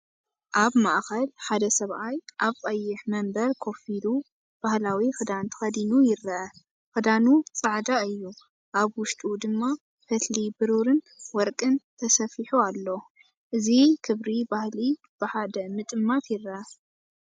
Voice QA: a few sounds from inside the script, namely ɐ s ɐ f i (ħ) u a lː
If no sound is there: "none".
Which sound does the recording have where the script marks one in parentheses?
ħ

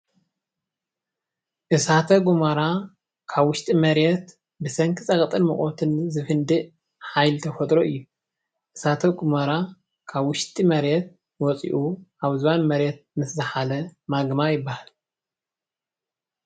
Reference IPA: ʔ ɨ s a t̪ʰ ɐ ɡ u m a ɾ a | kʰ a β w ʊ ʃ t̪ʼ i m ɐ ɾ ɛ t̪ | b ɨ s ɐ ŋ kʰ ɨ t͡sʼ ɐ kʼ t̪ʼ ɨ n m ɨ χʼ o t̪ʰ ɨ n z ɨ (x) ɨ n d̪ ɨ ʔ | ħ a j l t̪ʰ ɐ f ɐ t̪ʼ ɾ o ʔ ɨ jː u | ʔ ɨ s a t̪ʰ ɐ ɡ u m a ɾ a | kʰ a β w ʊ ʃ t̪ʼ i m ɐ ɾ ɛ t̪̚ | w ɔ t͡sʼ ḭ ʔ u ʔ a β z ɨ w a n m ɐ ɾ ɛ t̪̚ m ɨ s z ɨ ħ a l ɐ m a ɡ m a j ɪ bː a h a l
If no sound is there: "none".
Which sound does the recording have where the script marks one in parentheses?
f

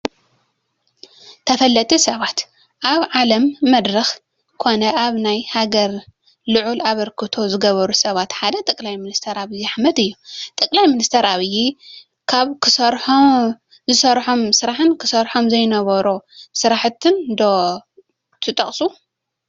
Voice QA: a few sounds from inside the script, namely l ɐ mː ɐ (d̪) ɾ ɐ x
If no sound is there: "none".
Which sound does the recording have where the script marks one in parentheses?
d̪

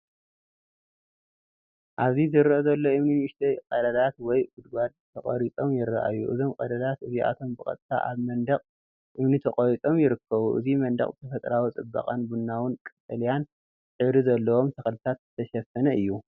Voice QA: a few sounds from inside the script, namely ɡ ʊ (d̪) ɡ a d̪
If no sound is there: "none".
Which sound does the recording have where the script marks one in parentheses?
d̪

